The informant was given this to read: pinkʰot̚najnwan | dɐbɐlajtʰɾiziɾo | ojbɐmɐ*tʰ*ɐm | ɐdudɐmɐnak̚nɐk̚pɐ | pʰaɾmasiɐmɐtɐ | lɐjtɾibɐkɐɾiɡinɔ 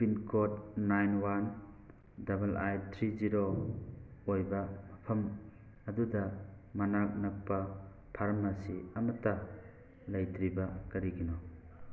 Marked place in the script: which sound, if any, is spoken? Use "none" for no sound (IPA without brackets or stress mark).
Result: pʰ